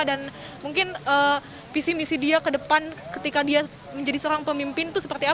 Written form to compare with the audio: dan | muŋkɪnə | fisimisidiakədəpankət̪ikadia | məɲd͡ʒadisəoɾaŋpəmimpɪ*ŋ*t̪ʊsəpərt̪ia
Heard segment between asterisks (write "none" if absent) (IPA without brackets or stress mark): n